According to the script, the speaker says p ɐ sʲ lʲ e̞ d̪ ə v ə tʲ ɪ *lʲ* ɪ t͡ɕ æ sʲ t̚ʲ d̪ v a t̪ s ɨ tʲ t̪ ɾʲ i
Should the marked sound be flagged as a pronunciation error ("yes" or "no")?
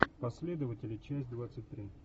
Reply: no